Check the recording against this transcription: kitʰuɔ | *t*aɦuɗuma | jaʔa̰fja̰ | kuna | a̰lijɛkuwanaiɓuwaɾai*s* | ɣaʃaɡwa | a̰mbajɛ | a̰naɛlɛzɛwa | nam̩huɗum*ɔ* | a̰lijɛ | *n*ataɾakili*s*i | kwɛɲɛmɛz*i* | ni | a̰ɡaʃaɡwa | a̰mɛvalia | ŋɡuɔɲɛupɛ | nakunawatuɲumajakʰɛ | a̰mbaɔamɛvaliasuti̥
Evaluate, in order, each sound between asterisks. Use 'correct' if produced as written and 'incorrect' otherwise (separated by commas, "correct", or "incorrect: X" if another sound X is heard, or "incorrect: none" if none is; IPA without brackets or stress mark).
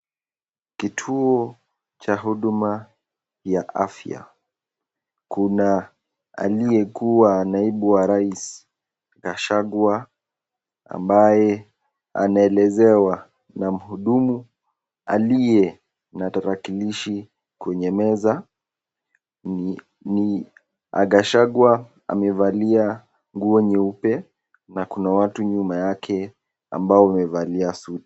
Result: incorrect: t͡ʃ, correct, incorrect: u, correct, incorrect: ʃ, incorrect: a